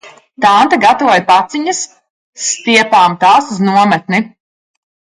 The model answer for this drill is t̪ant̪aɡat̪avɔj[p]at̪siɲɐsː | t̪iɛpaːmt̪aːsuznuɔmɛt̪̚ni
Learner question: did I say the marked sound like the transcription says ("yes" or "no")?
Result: yes